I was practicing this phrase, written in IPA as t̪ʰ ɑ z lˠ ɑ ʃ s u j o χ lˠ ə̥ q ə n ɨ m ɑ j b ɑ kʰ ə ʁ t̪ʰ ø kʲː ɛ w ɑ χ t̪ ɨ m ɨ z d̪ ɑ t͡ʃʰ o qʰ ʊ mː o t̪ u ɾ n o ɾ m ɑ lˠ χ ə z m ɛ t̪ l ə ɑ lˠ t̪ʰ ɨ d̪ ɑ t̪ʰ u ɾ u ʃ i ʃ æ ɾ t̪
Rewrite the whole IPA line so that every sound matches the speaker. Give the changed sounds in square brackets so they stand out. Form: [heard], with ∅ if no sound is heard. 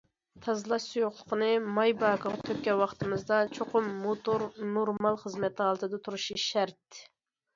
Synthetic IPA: t̪ʰ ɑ z lˠ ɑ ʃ s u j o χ lˠ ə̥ q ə n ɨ m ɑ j b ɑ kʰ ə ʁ t̪ʰ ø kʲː ɛ w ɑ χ t̪ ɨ m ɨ z d̪ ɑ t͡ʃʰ o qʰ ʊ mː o t̪ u ɾ n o ɾ m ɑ lˠ χ ə z m ɛ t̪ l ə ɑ lˠ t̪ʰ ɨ d̪ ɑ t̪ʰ u ɾ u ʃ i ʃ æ ɾ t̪